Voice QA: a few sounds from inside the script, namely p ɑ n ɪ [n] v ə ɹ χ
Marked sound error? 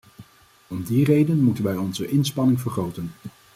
yes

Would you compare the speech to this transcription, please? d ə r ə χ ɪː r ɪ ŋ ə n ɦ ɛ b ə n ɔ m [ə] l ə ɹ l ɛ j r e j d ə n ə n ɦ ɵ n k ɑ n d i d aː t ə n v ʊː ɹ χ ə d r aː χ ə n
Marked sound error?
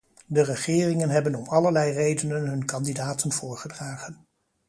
yes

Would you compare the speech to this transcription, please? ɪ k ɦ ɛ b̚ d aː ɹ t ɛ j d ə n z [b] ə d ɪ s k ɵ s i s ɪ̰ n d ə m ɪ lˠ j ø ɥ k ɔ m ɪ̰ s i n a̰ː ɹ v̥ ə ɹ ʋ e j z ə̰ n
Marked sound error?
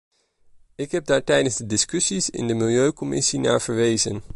yes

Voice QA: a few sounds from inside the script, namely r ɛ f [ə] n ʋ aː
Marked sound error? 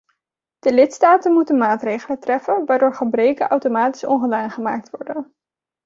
no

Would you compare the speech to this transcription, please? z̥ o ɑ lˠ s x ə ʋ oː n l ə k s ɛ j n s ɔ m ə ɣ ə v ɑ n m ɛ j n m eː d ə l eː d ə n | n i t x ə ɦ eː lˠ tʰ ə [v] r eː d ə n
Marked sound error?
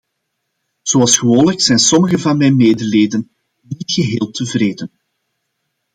no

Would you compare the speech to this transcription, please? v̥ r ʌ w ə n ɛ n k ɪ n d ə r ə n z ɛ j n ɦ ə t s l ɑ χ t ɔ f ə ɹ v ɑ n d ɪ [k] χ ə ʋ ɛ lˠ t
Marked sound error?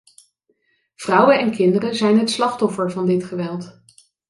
yes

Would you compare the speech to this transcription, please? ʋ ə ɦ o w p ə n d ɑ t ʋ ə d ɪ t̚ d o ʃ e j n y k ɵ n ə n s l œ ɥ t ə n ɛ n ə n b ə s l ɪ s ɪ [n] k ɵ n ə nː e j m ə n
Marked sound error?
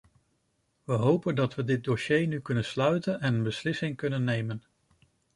yes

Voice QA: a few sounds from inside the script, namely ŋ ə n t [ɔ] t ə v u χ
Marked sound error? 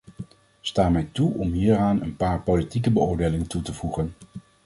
yes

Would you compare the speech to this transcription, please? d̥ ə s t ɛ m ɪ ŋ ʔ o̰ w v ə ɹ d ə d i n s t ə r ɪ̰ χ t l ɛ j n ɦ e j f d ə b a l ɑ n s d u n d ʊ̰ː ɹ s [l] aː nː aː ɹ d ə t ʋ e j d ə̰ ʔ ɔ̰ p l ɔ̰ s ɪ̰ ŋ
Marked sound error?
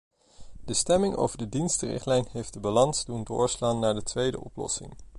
no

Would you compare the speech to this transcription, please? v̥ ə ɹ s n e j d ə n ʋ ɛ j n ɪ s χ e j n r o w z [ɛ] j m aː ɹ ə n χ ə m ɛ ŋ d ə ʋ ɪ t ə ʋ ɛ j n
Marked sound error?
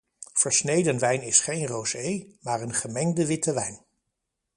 yes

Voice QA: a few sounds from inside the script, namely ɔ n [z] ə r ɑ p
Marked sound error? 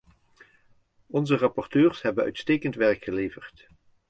no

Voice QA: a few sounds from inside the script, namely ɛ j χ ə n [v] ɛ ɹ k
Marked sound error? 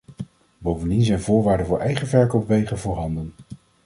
no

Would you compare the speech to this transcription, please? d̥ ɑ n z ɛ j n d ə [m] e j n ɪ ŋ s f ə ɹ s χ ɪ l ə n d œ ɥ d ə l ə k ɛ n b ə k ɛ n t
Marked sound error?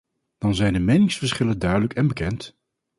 no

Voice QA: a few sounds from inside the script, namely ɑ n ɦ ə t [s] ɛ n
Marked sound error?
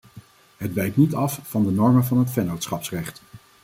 yes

